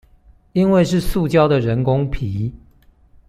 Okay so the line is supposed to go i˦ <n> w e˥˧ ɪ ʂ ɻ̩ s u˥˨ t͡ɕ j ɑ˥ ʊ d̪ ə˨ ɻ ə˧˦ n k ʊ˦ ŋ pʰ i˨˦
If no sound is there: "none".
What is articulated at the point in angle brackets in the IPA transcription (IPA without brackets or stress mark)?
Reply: n